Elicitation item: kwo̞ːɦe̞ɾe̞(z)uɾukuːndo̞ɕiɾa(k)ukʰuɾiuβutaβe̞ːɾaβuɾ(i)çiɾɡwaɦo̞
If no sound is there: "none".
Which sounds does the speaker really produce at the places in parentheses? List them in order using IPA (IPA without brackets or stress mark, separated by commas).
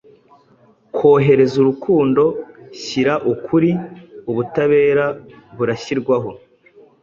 z, ʔ, a